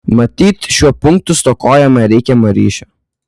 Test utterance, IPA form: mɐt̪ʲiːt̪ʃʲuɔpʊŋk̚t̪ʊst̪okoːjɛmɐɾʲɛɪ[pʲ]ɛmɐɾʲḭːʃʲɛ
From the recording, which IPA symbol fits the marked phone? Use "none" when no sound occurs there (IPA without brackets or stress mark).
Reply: kʲ